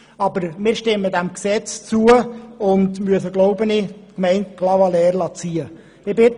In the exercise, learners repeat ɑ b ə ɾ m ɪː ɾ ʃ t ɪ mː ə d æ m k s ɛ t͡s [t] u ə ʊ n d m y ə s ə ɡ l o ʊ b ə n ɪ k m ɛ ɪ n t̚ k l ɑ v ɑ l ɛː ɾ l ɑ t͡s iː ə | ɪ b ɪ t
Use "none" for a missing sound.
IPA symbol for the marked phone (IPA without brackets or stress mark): t͡s